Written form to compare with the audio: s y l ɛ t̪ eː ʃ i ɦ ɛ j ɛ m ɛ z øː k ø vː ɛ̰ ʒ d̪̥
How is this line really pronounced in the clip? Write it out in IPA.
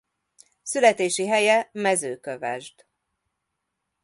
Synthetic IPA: s y l ɛ t̪ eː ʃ i ɦ ɛ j ɛ m ɛ z øː k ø v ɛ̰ ʒ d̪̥